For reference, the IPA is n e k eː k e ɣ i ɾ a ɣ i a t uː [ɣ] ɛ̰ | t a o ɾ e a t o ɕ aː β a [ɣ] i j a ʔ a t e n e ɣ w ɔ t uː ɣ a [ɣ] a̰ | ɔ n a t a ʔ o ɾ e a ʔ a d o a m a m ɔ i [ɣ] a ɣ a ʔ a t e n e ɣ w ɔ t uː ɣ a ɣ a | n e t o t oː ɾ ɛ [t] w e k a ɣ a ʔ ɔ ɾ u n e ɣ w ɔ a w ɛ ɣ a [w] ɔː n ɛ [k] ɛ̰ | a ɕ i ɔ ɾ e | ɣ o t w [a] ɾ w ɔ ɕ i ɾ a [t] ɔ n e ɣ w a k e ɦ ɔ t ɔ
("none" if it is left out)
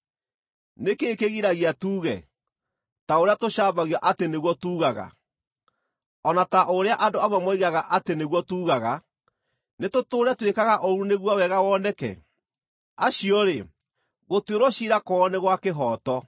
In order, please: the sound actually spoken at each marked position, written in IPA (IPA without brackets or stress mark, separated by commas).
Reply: ɣ, ɣ, ɣ, ɣ, t, w, k, e, k